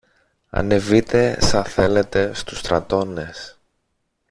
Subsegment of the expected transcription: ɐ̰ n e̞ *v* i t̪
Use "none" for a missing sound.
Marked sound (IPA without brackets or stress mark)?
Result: v